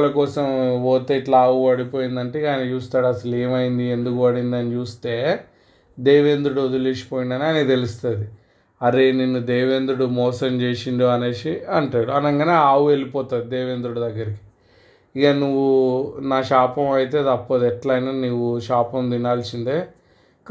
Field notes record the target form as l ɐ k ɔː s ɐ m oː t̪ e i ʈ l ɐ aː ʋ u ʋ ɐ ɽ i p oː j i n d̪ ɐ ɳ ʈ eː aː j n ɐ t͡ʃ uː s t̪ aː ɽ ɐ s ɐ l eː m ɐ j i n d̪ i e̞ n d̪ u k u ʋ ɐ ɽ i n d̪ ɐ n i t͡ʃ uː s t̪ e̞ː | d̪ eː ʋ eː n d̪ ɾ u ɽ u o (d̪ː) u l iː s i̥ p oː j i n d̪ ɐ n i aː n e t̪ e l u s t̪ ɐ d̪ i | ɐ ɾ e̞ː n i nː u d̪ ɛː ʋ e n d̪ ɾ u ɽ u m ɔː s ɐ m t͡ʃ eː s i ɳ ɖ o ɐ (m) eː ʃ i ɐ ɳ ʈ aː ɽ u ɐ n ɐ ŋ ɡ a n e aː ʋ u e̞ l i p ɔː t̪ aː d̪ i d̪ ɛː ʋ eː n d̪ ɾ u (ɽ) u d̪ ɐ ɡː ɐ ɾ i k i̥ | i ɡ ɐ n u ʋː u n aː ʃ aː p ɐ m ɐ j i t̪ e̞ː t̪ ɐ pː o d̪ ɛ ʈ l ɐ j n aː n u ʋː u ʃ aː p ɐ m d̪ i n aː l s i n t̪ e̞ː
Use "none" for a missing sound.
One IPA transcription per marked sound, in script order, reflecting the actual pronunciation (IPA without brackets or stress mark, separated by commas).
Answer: d̪, n, ɽ